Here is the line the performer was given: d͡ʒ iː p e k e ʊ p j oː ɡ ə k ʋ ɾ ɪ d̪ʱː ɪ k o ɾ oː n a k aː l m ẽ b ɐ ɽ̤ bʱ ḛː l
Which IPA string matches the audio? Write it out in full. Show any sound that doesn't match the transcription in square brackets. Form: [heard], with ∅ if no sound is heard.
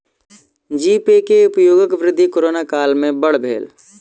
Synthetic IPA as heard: d͡ʒ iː p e k e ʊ p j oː ɡ ə k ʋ ɾ ɪ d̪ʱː [i] k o ɾ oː n a k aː l m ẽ b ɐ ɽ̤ bʱ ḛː l